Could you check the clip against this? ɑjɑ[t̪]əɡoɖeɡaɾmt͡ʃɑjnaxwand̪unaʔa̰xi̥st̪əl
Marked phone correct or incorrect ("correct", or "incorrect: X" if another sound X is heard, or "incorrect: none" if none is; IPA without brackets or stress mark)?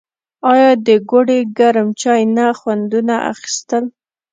incorrect: d̪